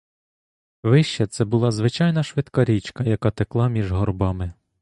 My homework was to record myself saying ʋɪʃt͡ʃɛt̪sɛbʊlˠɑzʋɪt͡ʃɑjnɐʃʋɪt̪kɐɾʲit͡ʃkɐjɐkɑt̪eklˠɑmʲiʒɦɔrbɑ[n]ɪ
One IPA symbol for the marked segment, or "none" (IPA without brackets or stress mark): m